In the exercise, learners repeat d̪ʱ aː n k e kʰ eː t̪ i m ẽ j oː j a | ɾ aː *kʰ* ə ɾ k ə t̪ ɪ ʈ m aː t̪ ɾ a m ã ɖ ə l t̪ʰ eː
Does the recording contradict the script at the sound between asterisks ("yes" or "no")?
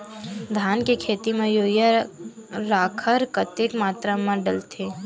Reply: no